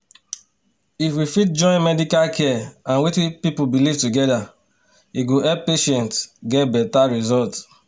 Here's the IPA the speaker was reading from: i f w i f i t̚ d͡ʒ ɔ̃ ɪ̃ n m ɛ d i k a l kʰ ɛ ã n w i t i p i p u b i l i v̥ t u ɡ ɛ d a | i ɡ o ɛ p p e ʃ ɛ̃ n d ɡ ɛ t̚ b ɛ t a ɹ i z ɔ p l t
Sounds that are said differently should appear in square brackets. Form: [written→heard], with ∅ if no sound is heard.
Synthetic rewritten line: i f w i f i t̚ d͡ʒ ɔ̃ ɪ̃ n m ɛ d i k a l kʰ ɛ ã n w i t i p i p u b i l i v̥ t u ɡ ɛ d a | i ɡ o ɛ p p e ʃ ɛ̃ n [d→t] ɡ ɛ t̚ b ɛ t a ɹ i z ɔ [p→∅] l t